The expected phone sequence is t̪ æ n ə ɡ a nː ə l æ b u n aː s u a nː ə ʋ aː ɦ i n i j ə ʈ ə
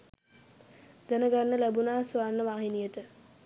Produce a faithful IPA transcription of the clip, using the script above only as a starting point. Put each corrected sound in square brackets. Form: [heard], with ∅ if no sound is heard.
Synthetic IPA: [d̪] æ n ə ɡ a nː ə l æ b u n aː s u a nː ə ʋ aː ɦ i n i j ə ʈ ə